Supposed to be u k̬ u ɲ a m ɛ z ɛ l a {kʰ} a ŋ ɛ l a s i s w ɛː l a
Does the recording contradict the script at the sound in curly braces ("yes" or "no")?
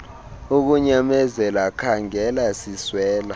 no